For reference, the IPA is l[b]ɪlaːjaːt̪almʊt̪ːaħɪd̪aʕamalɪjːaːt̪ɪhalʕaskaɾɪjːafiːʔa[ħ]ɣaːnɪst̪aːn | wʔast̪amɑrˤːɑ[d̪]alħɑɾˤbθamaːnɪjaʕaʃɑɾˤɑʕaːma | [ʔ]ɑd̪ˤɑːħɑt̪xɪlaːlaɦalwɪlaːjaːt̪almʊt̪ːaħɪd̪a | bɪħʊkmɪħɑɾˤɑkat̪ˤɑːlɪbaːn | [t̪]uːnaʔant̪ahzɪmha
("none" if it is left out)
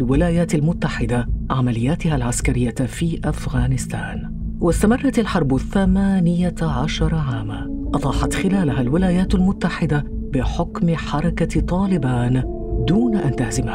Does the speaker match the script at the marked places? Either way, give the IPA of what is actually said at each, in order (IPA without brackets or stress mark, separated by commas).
w, f, t̪, ʔ, d̪